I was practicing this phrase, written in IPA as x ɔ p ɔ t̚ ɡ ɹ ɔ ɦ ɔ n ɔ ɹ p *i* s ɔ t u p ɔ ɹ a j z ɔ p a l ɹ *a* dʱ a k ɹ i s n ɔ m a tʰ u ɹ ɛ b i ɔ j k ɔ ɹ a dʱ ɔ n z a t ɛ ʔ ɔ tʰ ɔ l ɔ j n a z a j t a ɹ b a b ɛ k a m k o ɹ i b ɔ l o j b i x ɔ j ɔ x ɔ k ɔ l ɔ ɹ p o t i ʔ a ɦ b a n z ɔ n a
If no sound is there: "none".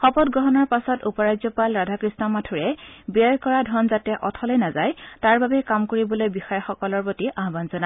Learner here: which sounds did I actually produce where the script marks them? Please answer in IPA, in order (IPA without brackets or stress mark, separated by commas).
a, a